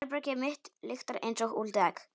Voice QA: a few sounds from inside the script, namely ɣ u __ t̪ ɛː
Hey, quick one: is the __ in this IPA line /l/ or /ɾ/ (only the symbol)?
l